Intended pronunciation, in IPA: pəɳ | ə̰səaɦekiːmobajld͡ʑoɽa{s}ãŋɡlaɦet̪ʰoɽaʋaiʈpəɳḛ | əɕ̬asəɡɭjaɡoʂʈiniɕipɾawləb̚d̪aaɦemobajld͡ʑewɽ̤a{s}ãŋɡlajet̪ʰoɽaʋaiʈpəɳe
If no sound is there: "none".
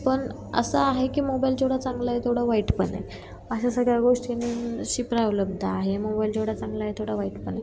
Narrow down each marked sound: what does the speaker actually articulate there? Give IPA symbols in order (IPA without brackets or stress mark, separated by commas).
t͡s, t͡s